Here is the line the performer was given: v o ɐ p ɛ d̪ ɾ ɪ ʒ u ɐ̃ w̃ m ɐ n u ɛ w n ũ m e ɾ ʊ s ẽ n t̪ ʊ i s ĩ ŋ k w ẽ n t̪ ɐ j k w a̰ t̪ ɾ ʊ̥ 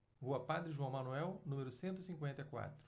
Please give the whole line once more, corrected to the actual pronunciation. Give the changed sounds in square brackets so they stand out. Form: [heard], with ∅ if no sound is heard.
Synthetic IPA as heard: v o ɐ p [a] d̪ ɾ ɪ ʒ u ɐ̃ w̃ m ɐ n u ɛ w n ũ m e ɾ ʊ s ẽ n t̪ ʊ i s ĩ ŋ k w ẽ n t̪ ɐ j k w a̰ t̪ ɾ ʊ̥